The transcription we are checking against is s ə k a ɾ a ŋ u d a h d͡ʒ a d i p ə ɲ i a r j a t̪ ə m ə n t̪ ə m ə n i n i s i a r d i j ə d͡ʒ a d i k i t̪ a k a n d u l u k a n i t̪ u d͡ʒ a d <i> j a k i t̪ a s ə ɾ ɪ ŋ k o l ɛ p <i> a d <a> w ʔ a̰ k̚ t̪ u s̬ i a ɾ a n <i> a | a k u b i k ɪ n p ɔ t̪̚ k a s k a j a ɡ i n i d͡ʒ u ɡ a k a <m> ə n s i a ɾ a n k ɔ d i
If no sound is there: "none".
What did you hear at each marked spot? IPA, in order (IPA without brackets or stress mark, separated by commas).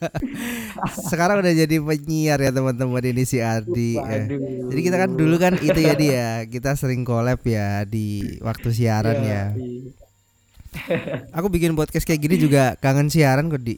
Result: i, j, i, j, ŋ